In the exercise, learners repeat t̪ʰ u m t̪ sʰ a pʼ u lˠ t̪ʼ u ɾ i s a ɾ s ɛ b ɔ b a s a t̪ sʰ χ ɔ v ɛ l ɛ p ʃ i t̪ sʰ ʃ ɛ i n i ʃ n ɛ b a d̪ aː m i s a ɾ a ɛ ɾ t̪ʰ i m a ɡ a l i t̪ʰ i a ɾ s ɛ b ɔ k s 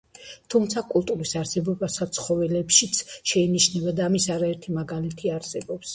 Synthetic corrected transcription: t̪ʰ u m t̪ sʰ a kʼ u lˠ t̪ʼ u ɾ i s a ɾ s ɛ b ɔ b a s a t̪ sʰ χ ɔ v ɛ l ɛ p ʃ i t̪ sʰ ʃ ɛ i n i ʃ n ɛ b a d̪ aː m i s a ɾ a ɛ ɾ t̪ʰ i m a ɡ a l i t̪ʰ i a ɾ s ɛ b ɔ p s